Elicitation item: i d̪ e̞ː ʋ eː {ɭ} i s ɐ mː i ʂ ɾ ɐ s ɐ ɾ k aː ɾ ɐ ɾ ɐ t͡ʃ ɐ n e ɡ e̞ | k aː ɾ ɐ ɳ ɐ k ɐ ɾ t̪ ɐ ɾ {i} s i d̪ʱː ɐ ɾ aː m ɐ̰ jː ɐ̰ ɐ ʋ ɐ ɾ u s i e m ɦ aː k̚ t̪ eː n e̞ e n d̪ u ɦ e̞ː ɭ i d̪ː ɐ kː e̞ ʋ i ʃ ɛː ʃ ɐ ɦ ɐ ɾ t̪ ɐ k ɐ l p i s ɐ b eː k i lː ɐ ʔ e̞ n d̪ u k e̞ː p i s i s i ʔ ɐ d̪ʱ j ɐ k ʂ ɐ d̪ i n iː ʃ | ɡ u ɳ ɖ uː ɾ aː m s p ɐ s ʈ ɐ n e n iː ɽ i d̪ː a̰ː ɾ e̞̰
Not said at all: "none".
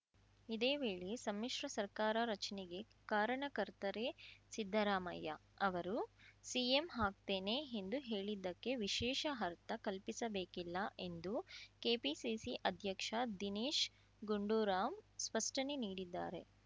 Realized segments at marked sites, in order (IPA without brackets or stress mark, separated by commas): ɭ, e